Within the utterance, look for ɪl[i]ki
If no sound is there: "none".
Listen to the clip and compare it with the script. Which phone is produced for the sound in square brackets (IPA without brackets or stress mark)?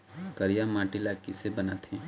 a